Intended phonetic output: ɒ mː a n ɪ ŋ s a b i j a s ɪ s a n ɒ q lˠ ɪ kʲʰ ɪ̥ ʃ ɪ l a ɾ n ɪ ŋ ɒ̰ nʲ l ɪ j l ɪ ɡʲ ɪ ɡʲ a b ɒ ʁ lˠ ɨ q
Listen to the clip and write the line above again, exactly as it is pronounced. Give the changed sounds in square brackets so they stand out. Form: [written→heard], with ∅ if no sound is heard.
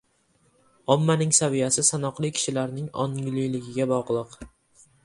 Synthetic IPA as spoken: ɒ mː a n ɪ ŋ s a [b→v] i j a s ɪ s a n ɒ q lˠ ɪ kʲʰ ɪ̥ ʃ ɪ l a ɾ n ɪ ŋ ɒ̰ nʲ l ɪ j l ɪ ɡʲ ɪ ɡʲ a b ɒ ʁ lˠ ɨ q